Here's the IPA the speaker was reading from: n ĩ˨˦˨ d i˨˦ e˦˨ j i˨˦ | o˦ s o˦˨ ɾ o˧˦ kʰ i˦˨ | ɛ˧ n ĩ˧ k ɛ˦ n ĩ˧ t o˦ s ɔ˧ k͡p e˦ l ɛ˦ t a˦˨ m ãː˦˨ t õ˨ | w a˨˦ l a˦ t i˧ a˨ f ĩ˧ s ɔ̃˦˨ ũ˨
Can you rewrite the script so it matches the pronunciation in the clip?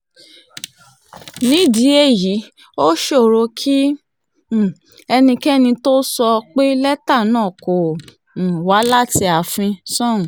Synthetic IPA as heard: n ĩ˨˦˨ d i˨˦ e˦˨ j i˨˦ | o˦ ʃ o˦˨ ɾ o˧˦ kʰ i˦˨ | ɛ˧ n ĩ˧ k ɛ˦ n ĩ˧ t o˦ s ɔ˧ k͡p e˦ l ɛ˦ t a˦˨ n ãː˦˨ k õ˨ | w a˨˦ l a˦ t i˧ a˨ f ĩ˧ s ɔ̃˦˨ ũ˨